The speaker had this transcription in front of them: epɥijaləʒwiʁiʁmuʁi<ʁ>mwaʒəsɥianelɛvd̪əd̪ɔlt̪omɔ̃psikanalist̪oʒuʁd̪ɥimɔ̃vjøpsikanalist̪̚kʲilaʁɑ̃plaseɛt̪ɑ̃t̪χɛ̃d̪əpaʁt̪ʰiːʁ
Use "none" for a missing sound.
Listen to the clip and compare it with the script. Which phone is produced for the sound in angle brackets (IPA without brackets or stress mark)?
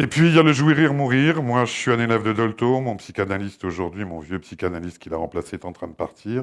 ʁ